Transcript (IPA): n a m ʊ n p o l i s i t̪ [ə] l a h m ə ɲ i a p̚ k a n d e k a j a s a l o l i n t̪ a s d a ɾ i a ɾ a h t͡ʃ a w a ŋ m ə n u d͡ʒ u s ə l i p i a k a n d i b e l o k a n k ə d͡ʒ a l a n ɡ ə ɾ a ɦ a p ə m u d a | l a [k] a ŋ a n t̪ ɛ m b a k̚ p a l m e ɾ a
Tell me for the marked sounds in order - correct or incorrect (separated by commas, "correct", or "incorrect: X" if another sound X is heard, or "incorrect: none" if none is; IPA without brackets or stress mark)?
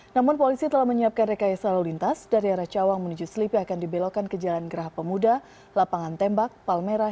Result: correct, incorrect: p